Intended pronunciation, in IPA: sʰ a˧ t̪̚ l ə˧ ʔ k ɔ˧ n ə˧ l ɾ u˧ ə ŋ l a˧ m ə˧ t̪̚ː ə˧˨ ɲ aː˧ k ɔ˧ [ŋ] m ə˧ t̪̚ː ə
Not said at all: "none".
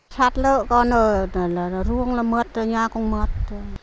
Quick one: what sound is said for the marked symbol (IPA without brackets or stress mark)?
ŋ